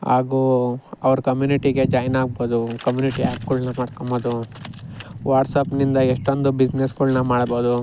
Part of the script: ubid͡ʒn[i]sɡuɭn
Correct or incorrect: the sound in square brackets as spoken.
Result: incorrect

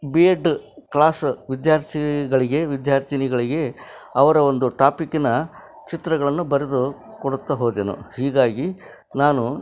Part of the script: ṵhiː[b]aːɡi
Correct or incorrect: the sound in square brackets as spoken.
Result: incorrect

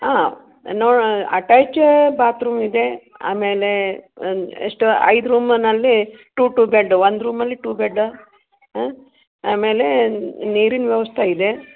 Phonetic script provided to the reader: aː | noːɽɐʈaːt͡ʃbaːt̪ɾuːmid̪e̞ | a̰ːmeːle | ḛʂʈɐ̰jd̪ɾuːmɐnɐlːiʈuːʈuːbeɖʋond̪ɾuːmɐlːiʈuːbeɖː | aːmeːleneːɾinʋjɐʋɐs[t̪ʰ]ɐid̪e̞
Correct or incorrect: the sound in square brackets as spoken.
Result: correct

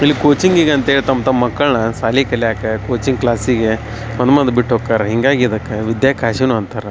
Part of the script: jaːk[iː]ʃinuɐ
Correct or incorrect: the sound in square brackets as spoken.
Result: incorrect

